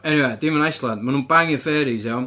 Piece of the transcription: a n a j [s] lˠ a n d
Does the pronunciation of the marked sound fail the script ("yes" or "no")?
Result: no